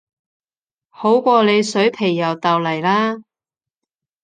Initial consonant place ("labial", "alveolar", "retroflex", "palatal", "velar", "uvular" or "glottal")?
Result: glottal